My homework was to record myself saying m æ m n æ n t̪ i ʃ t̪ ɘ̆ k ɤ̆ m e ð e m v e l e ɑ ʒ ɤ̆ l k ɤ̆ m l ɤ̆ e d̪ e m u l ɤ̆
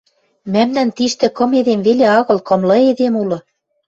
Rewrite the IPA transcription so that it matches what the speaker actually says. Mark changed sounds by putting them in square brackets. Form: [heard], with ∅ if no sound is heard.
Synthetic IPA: m æ m n æ n t̪ i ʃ t̪ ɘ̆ k ɤ̆ m e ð e m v e l e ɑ [ɣ] ɤ̆ l k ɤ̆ m l ɤ̆ e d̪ e m u l ɤ̆